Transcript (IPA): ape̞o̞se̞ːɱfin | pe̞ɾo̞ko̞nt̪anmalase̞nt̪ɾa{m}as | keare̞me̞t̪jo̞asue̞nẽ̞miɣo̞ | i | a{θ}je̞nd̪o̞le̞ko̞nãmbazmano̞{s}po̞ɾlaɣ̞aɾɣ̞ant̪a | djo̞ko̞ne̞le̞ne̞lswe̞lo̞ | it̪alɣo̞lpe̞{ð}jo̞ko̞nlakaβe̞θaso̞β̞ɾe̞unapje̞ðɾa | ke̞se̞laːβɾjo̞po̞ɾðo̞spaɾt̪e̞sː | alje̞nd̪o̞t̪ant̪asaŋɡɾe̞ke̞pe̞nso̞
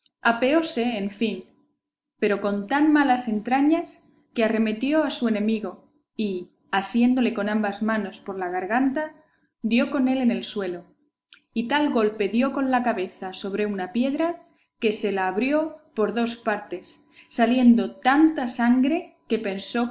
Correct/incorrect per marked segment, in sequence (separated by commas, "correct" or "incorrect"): incorrect, incorrect, correct, correct